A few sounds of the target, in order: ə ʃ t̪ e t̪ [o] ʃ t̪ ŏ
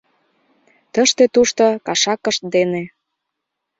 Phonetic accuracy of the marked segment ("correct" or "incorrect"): incorrect